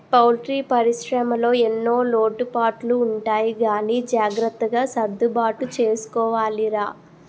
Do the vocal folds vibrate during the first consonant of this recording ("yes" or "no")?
no